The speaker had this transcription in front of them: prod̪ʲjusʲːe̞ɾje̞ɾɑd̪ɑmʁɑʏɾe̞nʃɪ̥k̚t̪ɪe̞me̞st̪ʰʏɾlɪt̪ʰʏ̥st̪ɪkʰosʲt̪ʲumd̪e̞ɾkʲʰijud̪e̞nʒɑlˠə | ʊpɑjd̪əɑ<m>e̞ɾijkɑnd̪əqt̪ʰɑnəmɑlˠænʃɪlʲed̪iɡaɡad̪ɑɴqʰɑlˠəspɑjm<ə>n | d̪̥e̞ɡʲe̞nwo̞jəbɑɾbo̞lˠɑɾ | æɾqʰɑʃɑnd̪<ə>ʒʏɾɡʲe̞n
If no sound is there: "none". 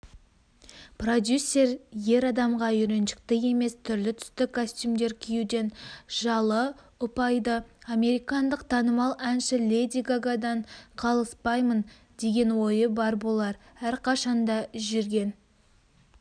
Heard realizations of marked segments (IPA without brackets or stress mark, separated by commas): m, ə, ɑ